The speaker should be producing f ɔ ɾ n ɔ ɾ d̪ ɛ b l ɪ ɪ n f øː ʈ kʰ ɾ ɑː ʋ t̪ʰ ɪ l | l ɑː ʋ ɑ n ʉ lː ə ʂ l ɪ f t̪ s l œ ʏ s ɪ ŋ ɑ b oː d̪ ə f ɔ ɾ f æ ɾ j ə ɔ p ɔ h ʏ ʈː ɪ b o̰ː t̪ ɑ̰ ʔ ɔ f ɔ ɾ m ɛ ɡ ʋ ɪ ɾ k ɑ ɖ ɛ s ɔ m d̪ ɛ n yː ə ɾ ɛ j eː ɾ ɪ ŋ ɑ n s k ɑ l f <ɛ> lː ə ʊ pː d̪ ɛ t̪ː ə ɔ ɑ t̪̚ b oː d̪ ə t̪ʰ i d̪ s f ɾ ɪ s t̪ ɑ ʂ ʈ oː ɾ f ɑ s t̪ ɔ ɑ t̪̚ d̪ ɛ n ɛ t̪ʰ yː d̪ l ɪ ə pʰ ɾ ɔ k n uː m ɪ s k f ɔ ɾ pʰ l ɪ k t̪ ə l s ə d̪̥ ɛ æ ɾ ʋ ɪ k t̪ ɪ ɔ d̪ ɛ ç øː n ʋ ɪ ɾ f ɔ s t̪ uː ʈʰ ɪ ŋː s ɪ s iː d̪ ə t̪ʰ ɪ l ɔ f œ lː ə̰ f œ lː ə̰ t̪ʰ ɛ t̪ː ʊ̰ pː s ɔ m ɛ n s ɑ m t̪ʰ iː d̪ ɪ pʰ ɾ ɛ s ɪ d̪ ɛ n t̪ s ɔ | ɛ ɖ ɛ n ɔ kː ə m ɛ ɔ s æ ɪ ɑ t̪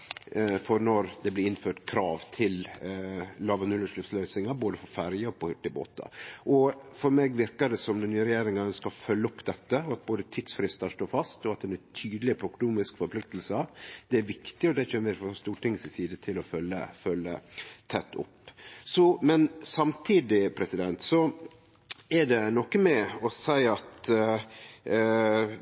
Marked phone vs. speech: incorrect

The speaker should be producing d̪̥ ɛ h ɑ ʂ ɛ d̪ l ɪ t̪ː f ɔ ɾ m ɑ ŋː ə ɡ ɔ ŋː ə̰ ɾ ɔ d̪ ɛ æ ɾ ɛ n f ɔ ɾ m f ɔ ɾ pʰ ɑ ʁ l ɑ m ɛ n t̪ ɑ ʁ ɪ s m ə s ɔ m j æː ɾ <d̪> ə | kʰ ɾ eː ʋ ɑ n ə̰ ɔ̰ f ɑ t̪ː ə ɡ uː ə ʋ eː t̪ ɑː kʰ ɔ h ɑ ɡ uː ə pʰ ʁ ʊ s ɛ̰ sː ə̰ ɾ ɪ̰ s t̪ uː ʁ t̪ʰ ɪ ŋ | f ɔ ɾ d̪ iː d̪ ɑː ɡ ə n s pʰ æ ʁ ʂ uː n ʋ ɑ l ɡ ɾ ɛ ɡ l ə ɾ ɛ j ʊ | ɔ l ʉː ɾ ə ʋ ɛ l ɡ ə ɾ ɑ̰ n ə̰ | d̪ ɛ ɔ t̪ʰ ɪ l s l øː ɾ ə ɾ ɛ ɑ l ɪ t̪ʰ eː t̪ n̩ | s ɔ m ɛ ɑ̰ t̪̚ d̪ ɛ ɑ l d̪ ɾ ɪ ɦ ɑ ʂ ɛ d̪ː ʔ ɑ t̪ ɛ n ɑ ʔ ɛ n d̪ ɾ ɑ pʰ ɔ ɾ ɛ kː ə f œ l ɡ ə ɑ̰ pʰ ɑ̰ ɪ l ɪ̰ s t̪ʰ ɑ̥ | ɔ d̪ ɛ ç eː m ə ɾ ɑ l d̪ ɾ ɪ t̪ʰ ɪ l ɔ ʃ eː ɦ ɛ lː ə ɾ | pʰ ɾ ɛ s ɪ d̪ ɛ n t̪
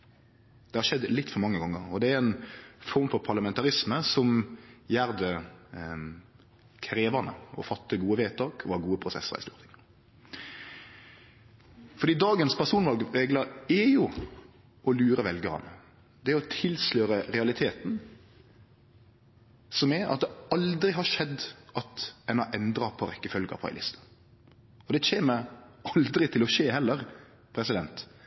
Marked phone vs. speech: correct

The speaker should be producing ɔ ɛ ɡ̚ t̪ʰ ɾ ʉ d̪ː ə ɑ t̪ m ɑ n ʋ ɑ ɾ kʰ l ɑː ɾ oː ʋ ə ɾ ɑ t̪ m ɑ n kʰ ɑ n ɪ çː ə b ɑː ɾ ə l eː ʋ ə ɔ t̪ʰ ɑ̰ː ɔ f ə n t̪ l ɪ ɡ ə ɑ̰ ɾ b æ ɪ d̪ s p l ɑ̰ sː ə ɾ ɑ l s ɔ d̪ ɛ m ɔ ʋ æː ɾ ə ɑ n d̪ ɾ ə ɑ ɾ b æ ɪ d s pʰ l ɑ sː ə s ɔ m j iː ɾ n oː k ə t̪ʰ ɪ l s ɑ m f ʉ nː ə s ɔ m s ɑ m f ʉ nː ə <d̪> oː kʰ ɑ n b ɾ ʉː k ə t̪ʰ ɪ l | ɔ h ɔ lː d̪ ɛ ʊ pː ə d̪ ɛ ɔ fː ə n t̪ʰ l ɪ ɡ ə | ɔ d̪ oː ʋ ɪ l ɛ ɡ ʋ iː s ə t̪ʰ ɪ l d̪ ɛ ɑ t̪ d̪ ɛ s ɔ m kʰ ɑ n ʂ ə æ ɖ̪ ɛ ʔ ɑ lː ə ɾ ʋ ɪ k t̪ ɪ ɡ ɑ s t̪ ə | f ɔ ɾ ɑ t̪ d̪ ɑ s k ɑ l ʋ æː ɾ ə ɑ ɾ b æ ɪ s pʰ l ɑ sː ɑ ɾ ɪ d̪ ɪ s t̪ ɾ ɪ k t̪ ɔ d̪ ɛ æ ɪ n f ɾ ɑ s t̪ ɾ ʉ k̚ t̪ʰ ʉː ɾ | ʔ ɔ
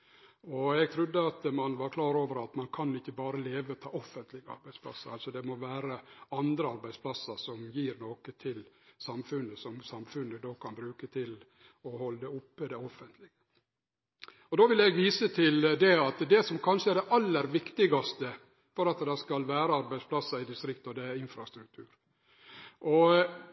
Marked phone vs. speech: correct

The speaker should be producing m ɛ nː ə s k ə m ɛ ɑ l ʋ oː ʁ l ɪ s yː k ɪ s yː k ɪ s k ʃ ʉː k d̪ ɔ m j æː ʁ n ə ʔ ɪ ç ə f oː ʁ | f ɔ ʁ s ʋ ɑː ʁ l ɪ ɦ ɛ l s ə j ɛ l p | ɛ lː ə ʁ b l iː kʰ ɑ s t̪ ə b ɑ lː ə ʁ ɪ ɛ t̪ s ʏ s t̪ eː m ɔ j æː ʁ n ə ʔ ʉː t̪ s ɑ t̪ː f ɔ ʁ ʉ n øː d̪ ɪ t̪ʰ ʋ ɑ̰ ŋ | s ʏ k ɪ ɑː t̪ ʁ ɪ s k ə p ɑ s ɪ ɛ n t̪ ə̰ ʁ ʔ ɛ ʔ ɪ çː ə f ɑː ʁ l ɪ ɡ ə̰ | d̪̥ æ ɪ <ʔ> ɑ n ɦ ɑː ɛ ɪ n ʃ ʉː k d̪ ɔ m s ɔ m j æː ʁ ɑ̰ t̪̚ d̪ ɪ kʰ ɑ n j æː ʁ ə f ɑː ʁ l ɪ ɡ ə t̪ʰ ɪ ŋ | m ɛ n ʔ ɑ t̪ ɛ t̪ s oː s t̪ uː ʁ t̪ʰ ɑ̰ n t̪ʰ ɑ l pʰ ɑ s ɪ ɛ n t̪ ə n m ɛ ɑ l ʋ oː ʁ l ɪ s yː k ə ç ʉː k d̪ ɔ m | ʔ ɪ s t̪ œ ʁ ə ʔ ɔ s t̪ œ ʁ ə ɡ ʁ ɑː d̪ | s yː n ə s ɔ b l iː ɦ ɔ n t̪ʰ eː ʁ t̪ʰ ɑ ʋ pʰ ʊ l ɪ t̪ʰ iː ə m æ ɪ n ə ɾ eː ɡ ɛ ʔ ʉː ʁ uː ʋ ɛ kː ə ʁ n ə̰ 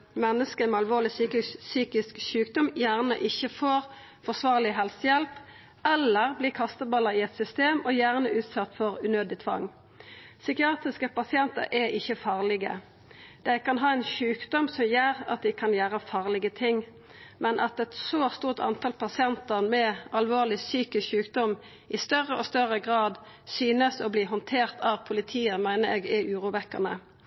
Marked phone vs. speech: incorrect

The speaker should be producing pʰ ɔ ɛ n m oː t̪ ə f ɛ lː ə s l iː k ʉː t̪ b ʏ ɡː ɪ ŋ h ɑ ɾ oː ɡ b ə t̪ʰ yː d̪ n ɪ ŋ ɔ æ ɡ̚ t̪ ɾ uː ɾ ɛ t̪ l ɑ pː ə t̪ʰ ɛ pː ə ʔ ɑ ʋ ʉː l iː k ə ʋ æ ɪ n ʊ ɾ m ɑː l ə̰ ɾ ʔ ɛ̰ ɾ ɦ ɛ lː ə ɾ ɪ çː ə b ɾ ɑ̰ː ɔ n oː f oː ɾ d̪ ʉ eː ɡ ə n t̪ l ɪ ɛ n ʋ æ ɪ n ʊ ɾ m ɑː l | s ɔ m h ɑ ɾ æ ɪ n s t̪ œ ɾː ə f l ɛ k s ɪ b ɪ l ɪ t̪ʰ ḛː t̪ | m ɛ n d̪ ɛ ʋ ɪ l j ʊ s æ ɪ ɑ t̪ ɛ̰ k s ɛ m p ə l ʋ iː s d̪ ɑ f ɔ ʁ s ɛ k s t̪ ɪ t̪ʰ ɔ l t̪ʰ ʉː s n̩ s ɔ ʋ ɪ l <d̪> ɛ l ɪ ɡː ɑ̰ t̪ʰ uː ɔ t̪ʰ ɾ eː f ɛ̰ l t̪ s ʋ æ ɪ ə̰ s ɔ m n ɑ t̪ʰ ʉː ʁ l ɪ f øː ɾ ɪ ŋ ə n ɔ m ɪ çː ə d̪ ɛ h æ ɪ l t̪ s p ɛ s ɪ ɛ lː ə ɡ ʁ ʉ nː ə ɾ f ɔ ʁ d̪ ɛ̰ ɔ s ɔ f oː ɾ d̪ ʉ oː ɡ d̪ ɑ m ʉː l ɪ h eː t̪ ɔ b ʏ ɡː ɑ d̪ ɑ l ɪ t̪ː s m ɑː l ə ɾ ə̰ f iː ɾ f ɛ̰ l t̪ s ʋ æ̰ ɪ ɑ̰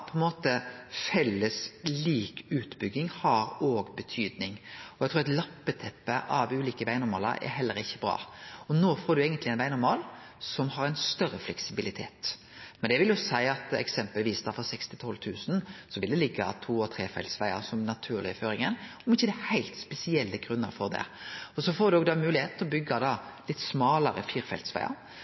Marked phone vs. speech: correct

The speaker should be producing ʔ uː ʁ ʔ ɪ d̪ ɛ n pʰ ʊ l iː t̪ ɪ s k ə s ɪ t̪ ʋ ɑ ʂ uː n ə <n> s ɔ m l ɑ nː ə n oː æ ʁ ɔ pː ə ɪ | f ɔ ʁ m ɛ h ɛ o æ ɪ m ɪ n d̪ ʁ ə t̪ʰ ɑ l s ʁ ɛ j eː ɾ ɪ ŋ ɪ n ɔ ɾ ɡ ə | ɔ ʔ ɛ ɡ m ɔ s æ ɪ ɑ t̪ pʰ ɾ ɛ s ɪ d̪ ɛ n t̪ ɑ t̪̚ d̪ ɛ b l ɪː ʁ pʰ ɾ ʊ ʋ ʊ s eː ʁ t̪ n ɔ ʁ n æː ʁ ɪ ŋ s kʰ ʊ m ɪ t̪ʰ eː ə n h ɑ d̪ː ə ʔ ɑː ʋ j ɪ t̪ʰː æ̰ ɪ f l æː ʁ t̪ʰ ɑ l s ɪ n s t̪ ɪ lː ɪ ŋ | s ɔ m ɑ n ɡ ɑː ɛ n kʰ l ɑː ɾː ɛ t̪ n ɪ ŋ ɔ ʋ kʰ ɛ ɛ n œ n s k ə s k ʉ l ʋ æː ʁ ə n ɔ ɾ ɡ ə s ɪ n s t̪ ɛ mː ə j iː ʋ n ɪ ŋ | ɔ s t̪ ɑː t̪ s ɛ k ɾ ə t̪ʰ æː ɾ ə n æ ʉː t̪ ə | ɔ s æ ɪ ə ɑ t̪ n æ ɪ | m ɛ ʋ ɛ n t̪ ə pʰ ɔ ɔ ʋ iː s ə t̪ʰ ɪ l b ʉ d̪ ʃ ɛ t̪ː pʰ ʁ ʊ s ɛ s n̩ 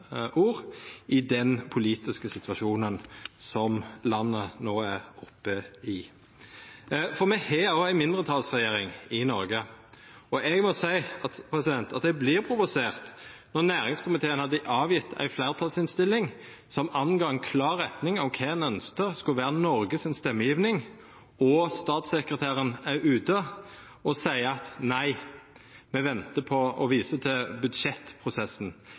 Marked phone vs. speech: correct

